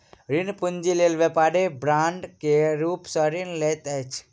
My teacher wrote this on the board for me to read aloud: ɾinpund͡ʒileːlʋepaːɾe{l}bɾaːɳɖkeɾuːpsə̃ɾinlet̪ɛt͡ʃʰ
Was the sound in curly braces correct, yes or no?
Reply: no